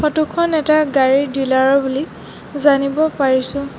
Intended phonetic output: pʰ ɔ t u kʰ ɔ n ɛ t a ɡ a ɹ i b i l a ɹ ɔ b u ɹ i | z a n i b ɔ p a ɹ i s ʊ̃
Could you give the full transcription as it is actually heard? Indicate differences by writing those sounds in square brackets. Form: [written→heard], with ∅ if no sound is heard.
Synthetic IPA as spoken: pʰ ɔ t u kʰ ɔ n ɛ t a ɡ a ɹ i [b→d] i l a ɹ ɔ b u [ɹ→l] i | z a n i b ɔ p a ɹ i s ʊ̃